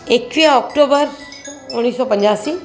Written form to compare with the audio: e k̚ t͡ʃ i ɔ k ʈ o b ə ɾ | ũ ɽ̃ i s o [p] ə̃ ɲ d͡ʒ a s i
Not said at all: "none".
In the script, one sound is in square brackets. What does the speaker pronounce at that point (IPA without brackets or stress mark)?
p